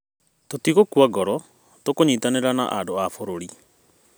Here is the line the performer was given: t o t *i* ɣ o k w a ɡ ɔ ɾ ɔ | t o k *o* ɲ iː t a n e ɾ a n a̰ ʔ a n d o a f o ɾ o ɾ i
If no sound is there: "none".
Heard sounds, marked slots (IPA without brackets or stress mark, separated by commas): i, o